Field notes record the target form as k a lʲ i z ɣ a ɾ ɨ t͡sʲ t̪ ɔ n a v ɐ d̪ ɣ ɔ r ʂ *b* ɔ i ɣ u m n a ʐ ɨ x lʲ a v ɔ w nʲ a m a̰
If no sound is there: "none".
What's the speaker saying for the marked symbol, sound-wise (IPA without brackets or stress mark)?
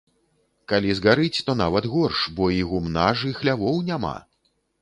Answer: b